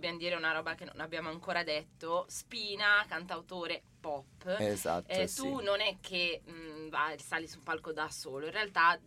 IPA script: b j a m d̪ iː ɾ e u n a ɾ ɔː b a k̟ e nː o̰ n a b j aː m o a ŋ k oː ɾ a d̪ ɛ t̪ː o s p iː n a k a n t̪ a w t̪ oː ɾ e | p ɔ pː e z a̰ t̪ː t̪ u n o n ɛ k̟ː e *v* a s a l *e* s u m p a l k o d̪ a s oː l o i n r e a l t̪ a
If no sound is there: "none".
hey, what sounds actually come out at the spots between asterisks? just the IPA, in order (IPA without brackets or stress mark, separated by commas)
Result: v, i